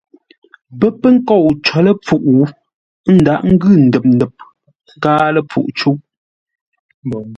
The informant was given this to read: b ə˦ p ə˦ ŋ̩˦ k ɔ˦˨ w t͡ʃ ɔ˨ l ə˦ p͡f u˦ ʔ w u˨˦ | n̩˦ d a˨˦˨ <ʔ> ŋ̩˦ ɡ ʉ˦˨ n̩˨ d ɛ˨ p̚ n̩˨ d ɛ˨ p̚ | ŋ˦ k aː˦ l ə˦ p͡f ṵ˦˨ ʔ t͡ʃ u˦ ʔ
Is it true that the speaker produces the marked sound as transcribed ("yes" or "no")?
yes